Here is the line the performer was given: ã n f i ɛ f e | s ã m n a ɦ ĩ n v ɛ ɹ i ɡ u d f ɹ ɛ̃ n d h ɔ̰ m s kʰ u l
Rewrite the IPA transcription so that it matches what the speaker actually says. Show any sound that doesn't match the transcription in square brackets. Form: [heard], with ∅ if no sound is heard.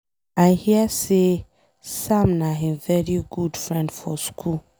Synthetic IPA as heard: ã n [h] i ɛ [s] e | s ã m n a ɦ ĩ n v ɛ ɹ i ɡ u d f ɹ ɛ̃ n d [f] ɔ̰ [∅] s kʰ u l